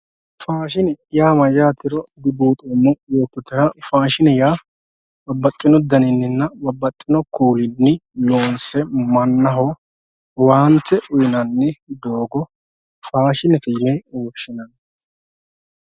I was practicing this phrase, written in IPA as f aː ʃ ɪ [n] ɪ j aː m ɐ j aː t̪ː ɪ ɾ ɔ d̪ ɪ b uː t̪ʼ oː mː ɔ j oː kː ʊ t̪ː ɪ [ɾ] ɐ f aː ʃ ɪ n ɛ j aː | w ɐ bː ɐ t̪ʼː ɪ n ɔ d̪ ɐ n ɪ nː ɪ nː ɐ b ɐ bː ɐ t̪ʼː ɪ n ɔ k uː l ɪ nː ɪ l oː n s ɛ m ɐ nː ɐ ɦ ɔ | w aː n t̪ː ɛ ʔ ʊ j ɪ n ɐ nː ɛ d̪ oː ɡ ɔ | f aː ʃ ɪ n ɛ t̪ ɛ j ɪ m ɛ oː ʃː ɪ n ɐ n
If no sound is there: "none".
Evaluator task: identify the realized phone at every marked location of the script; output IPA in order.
n, ɾ

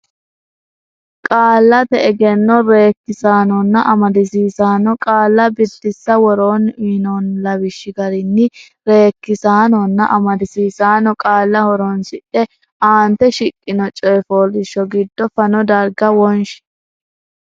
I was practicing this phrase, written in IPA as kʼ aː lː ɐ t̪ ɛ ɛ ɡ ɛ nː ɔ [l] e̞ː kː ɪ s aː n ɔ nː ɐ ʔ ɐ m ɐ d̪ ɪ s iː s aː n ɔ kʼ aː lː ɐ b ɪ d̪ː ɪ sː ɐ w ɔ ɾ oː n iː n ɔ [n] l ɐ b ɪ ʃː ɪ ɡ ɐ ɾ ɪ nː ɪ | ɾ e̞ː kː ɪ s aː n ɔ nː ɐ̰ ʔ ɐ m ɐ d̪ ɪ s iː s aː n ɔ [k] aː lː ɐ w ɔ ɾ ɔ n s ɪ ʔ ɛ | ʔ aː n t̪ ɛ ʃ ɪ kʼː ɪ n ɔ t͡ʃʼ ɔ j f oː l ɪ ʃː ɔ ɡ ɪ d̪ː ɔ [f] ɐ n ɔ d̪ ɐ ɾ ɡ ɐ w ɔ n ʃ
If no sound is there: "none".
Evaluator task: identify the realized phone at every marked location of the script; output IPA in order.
ɾ, n, kʼ, f

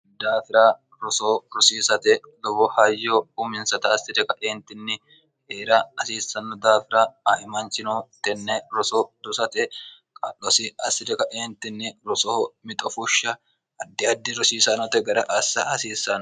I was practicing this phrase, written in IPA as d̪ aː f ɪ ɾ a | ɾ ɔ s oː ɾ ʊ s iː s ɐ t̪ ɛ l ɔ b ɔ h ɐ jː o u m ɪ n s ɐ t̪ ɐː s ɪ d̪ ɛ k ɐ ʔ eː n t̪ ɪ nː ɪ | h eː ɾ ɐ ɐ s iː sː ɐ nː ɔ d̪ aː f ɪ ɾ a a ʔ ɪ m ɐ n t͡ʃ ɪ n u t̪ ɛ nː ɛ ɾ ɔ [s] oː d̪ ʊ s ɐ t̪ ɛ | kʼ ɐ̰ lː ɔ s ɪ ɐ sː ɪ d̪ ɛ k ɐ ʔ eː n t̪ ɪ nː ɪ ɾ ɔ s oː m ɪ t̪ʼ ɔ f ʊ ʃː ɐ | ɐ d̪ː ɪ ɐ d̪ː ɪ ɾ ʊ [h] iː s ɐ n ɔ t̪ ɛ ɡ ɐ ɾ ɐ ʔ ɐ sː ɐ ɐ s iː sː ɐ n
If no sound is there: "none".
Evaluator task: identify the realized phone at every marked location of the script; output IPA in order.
s, s

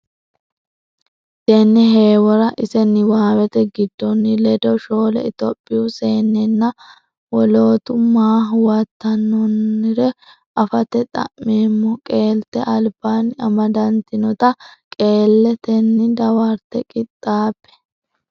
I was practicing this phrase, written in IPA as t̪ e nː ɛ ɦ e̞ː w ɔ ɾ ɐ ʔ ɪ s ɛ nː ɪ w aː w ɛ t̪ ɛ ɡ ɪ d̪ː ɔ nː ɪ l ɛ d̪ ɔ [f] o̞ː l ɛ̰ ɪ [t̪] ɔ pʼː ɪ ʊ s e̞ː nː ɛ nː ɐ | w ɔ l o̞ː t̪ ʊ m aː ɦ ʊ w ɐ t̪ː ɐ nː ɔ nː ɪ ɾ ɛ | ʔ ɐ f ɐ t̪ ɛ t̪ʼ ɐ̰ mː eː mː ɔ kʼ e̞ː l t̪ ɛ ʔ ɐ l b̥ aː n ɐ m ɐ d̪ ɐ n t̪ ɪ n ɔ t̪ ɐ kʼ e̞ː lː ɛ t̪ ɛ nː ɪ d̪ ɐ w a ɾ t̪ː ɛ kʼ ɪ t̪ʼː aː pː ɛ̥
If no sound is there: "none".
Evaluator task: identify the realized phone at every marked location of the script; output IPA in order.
ʃ, t̪

